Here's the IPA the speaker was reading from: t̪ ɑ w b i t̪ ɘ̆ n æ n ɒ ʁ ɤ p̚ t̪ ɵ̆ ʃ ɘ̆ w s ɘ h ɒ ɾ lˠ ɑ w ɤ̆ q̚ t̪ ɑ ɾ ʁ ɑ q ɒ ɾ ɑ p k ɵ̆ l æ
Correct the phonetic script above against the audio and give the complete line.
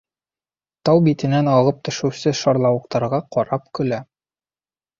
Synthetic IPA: t̪ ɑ w b i t̪ ɘ̆ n æ n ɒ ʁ ɤ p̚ t̪ ɵ̆ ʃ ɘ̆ w s ɘ ʃ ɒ ɾ lˠ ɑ w ɤ̆ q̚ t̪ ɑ ɾ ʁ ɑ q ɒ ɾ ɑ p k ɵ̆ l æ